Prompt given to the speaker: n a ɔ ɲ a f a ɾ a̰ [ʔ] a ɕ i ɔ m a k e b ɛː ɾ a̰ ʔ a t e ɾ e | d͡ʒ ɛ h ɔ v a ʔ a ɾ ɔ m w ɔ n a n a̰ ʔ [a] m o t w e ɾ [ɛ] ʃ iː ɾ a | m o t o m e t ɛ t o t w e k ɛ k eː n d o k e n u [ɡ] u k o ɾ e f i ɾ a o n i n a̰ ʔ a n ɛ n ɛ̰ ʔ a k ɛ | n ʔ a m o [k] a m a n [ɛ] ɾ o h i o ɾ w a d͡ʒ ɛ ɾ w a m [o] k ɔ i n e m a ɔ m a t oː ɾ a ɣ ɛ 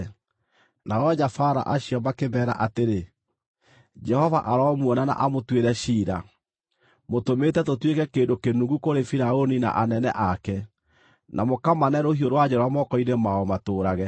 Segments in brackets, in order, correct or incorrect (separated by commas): correct, correct, correct, correct, correct, correct, incorrect